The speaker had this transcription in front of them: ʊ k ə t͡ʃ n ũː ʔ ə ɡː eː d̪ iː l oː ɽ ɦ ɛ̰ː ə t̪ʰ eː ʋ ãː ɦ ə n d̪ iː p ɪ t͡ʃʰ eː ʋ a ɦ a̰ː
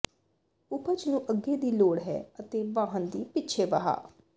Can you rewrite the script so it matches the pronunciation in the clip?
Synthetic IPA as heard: ʊ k ə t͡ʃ n ũː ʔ ə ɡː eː d̪ iː l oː ɽ ɦ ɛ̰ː ə t̪ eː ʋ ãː ɦ ə n d̪ iː p ɪ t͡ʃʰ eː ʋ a ɦ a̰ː